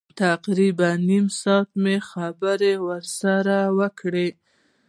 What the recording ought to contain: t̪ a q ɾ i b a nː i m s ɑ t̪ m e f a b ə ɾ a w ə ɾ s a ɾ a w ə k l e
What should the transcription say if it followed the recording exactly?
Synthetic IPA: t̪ a q ɾ i b a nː i m s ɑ t̪ m e x a b ə ɾ e w ə ɾ s a ɾ a w ə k ɽ e